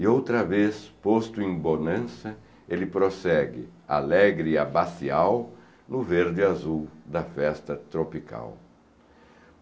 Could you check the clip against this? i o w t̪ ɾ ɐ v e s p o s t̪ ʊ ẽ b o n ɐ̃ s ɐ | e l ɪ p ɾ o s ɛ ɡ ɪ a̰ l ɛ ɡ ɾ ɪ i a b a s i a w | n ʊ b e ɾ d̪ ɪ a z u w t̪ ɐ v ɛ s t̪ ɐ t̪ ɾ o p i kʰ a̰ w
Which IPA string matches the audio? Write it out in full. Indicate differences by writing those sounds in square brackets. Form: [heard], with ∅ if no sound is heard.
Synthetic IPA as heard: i o w t̪ ɾ ɐ v e s p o s t̪ ʊ ẽ b o n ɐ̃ s ɐ | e l ɪ p ɾ o s ɛ ɡ ɪ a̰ l ɛ ɡ ɾ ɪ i a b a s i a w | n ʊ [v] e ɾ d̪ ɪ a z u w [d̪] ɐ [f] ɛ s t̪ ɐ t̪ ɾ o p i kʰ a̰ w